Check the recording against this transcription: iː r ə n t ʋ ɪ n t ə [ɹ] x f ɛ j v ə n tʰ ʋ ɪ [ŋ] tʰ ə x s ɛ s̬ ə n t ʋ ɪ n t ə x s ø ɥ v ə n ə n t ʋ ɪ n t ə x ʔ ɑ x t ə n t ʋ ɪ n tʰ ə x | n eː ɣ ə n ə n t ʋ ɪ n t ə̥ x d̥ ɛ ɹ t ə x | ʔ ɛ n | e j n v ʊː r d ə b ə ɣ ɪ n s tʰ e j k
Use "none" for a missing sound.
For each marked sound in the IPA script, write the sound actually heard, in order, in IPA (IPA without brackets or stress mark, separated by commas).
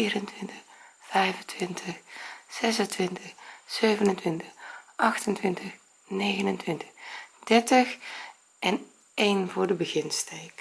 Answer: none, n